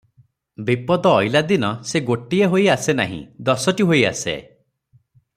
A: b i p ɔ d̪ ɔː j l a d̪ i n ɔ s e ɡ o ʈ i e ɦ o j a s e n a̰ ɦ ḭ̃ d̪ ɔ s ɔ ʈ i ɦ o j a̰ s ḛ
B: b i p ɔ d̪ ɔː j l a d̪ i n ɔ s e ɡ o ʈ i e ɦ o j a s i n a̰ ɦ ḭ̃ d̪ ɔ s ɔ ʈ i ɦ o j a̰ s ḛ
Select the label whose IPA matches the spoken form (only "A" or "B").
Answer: A